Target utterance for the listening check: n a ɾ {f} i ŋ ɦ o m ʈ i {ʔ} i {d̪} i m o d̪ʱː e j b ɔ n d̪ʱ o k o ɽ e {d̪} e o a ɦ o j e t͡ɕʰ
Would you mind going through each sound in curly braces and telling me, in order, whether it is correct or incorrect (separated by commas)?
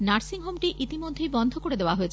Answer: incorrect, correct, incorrect, correct